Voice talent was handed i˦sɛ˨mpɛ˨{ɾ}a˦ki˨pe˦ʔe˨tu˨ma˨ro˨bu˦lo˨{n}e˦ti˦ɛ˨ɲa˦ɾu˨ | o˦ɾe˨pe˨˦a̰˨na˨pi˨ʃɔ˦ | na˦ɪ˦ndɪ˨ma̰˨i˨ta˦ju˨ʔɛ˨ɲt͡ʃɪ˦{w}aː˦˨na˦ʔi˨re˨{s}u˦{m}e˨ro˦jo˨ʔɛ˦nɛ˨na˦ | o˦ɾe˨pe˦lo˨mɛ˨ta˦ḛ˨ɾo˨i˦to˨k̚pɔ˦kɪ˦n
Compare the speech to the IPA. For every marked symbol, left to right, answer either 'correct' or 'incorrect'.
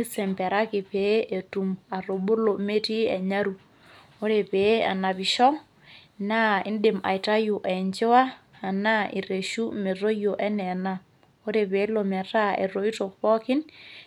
correct, incorrect, correct, incorrect, correct

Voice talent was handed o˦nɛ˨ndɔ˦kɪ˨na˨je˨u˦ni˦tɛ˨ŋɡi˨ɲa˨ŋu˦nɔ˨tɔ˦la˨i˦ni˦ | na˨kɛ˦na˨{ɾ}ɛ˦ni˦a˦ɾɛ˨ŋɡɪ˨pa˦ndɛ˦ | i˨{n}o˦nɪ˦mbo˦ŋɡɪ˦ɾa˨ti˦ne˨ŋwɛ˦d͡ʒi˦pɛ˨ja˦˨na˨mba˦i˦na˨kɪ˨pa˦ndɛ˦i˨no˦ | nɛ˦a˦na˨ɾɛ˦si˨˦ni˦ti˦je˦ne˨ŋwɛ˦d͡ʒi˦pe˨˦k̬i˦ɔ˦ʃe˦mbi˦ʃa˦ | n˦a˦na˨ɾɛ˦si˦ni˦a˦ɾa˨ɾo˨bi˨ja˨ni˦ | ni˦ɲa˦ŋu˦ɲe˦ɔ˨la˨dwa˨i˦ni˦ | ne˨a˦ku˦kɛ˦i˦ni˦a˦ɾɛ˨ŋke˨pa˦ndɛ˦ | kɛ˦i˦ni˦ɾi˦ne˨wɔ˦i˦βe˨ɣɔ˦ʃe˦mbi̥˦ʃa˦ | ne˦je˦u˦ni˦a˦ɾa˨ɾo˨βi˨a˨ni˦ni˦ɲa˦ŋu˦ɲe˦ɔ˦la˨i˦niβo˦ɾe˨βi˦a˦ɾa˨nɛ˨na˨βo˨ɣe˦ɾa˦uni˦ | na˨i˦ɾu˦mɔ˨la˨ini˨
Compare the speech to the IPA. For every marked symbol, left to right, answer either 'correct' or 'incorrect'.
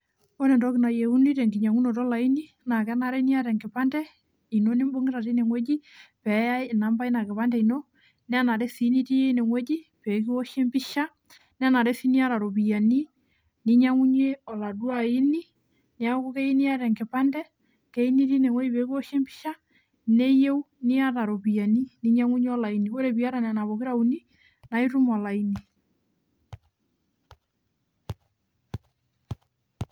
correct, correct

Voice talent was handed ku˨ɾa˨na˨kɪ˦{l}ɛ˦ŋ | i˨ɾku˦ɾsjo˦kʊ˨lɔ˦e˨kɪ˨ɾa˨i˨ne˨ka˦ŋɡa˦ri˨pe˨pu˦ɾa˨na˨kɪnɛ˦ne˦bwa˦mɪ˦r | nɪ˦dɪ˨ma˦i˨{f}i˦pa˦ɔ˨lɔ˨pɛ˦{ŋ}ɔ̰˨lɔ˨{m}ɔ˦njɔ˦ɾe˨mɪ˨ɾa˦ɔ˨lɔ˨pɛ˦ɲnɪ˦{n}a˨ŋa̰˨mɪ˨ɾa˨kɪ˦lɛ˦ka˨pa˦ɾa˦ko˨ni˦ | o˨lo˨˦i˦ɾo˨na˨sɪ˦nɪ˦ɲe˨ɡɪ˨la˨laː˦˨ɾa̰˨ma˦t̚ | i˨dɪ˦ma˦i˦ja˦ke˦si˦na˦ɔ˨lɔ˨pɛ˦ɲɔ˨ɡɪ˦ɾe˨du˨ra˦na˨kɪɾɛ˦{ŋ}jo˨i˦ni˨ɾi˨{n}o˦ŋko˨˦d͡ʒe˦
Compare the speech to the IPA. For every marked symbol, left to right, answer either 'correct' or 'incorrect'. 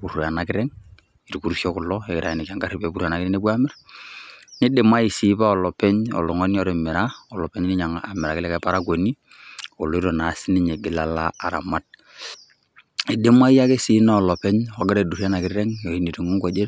incorrect, incorrect, incorrect, incorrect, incorrect, correct, incorrect

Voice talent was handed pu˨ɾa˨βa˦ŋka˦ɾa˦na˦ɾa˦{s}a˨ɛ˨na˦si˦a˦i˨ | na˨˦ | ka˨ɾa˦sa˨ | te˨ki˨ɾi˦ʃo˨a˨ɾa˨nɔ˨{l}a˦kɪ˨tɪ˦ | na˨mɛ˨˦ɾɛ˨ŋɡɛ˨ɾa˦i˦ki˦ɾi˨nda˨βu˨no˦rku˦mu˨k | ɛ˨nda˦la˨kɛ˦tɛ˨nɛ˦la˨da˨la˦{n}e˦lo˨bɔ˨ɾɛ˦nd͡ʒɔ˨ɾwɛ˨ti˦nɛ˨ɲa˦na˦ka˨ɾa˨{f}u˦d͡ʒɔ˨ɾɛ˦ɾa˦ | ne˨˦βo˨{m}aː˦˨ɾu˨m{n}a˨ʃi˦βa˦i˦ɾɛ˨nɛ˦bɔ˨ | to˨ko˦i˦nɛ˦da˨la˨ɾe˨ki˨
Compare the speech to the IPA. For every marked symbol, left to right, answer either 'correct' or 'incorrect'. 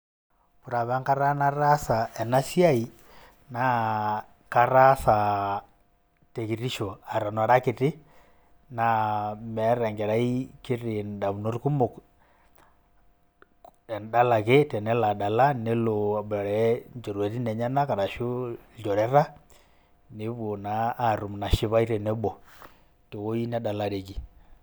correct, incorrect, correct, incorrect, incorrect, correct

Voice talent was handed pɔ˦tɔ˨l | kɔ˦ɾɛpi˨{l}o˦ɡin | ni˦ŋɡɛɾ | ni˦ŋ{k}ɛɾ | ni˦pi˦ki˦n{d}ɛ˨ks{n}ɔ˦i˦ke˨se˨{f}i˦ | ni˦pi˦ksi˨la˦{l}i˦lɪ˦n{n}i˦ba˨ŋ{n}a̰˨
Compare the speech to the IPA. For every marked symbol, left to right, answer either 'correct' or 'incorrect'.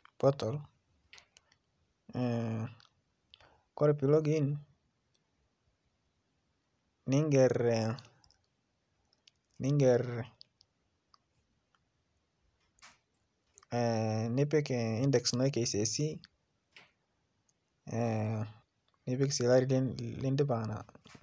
correct, incorrect, correct, correct, incorrect, incorrect, incorrect, correct

